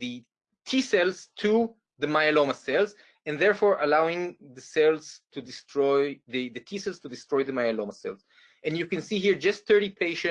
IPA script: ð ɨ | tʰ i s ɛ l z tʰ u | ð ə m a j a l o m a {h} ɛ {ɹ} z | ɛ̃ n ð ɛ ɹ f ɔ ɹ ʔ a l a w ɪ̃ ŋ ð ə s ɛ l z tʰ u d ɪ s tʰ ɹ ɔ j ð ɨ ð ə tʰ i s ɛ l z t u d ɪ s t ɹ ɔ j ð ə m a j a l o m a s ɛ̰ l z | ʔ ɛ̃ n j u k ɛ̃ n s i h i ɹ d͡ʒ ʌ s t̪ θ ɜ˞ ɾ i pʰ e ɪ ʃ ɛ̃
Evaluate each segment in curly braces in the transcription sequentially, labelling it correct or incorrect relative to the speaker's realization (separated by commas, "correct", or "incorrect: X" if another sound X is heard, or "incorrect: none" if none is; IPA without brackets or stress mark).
incorrect: s, incorrect: l